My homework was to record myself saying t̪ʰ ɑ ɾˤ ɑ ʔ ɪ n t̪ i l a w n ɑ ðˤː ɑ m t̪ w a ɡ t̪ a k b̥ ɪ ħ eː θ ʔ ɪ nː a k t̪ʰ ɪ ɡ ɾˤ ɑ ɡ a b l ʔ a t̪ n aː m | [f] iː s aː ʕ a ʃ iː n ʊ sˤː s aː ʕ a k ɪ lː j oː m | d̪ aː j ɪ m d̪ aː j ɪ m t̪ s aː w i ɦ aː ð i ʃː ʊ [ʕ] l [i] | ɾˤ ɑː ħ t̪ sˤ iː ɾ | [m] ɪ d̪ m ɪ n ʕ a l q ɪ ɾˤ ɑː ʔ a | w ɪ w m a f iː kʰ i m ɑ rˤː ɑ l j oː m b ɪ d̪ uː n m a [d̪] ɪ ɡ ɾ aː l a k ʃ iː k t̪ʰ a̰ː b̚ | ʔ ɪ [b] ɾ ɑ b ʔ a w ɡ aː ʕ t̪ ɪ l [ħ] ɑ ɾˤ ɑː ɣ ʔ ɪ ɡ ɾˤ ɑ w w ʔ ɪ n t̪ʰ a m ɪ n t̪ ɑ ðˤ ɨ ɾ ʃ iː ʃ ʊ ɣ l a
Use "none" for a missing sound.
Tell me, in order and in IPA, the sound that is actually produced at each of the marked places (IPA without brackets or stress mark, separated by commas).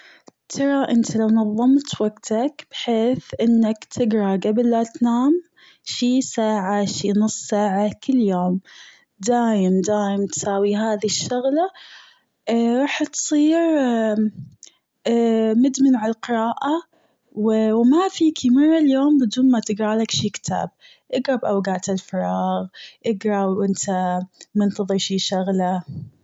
ʃ, ɣ, a, m, t̪, ɡ, f